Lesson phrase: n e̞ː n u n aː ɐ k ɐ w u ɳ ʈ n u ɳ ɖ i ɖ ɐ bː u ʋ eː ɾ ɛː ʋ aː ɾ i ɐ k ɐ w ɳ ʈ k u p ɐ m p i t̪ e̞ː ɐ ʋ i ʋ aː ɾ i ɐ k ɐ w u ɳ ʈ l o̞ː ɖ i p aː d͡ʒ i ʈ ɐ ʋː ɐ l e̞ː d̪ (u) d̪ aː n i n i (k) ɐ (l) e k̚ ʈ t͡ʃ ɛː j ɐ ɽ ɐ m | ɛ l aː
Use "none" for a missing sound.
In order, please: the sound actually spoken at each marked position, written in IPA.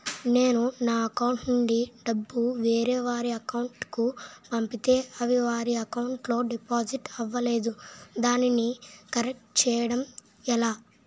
u, k, ɾ

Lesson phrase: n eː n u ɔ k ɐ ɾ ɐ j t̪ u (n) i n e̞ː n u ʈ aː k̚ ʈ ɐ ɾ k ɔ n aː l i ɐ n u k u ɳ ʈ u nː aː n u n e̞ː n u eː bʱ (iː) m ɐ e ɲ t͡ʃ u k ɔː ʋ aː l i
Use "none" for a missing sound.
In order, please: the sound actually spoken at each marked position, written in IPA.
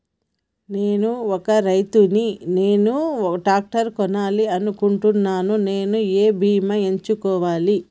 n, iː

